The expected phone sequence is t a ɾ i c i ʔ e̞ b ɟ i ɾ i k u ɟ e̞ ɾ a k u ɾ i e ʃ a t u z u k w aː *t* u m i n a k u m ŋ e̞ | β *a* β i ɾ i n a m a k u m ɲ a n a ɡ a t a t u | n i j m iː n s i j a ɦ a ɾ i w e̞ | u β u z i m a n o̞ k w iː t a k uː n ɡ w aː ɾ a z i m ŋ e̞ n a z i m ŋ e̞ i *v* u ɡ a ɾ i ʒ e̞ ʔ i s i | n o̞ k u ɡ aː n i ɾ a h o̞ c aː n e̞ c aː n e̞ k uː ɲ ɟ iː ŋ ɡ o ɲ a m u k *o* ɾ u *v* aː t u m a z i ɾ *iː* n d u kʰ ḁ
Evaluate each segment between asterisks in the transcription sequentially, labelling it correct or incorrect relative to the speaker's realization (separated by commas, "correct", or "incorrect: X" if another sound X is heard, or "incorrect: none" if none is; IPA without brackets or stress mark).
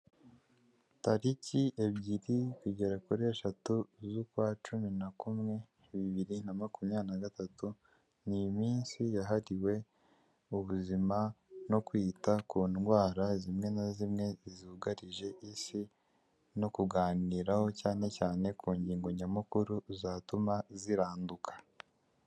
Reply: incorrect: t͡ʃ, incorrect: i, incorrect: z, incorrect: u, incorrect: z, incorrect: aː